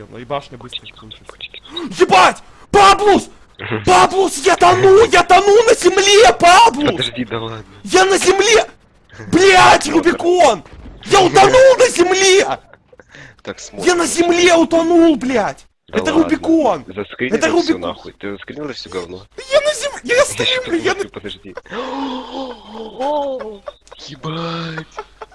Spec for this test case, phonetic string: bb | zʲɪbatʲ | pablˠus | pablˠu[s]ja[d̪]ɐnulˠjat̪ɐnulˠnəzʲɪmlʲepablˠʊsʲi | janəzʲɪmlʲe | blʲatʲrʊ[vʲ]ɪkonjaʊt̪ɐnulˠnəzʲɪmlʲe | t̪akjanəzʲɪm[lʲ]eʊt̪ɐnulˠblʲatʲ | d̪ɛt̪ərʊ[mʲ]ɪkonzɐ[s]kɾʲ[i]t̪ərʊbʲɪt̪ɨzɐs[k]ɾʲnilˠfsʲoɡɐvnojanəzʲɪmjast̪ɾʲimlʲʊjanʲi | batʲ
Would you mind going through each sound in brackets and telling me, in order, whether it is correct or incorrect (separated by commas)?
correct, incorrect, incorrect, correct, incorrect, correct, incorrect, correct